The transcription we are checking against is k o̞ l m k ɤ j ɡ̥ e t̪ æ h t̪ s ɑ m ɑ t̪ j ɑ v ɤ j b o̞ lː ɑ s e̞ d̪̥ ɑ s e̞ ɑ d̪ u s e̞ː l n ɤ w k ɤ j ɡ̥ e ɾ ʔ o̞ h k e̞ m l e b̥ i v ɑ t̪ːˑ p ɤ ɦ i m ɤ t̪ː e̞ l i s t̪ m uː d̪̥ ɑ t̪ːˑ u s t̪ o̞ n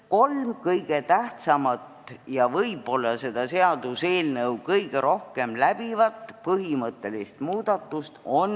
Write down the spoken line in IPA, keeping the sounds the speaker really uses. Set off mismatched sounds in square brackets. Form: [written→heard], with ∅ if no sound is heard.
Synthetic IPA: k o̞ l m k ɤ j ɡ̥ e t̪ æ h t̪ s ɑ m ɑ t̪ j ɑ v ɤ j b o̞ lː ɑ s e̞ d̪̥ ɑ s e̞ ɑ d̪ u s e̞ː l n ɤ w k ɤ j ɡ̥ e ɾ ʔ o̞ h k e̞ m l [e→æ] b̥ i v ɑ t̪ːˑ p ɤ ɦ i m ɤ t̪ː e̞ l i s t̪ m uː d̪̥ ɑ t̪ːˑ u s t̪ o̞ n